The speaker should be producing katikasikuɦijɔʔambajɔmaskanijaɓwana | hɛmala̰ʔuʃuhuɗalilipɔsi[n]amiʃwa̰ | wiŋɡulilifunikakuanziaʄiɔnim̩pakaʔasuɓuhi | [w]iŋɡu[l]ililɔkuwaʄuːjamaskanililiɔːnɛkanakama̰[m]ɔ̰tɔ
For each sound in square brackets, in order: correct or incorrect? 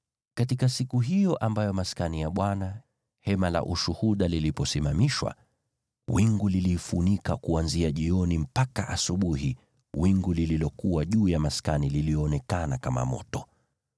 incorrect, correct, correct, correct

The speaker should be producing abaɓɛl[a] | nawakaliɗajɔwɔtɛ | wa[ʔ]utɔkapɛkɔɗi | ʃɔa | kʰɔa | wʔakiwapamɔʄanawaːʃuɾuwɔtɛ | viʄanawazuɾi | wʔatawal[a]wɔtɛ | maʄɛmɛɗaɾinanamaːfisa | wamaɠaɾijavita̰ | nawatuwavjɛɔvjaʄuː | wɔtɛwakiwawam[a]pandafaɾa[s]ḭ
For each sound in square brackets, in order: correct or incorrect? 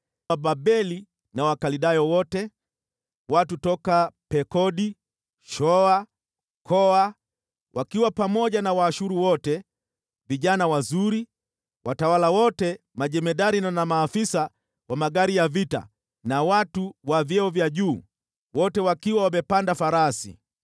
incorrect, incorrect, correct, incorrect, correct

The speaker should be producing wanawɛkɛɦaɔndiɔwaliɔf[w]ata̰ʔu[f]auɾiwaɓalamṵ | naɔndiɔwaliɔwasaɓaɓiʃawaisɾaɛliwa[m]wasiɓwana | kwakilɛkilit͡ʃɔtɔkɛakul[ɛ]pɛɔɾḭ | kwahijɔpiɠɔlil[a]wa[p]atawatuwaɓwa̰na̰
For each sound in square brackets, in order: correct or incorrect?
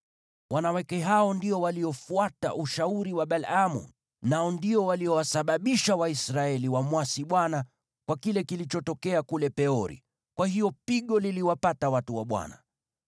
incorrect, incorrect, correct, correct, incorrect, correct

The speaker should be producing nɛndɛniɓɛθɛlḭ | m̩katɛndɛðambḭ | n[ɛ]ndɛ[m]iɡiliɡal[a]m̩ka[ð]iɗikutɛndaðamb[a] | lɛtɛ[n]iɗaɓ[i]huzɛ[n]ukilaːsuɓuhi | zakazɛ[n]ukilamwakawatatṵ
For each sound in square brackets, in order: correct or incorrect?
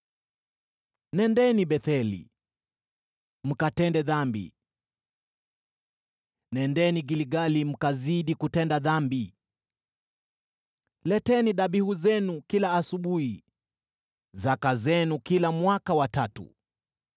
correct, incorrect, incorrect, incorrect, incorrect, correct, correct, correct, correct

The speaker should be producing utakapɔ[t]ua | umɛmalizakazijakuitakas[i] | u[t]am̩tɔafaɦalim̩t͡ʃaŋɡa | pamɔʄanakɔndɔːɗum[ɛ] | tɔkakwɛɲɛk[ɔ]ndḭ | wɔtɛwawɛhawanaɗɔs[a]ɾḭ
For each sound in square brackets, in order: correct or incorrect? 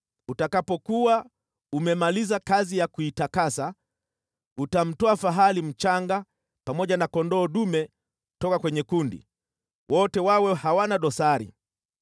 incorrect, incorrect, correct, correct, incorrect, correct

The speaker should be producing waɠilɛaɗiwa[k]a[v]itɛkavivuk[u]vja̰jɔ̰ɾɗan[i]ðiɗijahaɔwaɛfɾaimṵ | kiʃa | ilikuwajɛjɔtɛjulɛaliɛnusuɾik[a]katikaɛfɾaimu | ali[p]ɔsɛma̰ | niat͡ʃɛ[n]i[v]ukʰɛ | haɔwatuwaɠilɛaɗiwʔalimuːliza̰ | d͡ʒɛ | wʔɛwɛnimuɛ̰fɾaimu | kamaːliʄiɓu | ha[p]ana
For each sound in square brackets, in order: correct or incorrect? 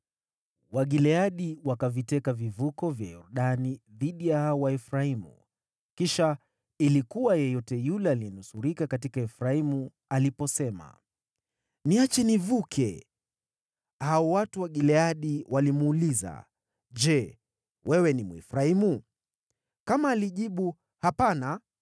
correct, correct, incorrect, correct, correct, correct, correct, correct, correct

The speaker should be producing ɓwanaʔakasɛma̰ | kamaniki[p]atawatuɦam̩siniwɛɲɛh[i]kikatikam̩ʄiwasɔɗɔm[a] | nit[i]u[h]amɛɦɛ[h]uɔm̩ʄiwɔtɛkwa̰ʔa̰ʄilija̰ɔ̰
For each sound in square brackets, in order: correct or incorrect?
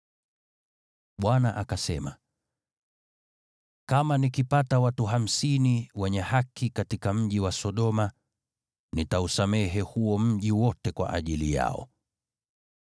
correct, incorrect, correct, incorrect, incorrect, correct

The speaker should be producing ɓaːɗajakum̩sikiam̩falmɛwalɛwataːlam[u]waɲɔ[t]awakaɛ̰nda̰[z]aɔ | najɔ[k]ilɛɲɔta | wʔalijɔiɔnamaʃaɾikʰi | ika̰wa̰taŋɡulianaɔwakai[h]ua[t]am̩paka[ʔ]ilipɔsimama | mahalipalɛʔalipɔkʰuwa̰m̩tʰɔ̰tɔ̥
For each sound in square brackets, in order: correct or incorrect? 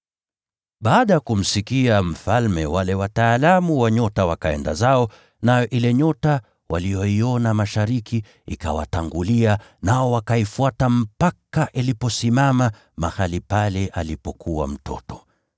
correct, correct, correct, incorrect, incorrect, correct, correct

